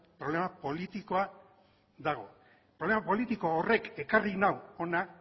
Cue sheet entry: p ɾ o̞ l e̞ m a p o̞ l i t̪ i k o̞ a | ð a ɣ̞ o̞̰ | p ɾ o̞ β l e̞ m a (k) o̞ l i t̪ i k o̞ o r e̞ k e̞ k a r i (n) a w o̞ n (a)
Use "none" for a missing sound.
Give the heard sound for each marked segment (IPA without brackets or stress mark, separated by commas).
p, n, a